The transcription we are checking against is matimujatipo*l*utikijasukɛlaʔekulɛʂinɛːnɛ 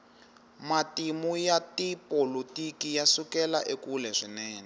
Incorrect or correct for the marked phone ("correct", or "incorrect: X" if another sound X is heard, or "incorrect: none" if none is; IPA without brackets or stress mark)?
correct